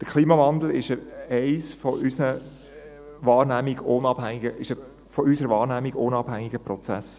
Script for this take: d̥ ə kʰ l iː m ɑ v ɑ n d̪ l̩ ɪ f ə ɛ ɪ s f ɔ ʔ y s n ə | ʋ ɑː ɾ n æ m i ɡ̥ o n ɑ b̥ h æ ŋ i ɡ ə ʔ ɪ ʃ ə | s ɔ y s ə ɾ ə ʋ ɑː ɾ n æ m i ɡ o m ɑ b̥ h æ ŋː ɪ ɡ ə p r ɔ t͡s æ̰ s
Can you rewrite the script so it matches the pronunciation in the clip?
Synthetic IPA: d̥ ə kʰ l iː m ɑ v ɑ n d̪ l̩ ɪ ʃ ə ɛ ɪ s f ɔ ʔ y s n ə | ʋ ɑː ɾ n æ m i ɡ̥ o n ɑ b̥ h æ ŋ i ɡ ə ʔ ɪ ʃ ə | f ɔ y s ə ɾ ə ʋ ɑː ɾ n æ m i ɡ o n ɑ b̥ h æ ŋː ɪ ɡ ə p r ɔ t͡s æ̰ s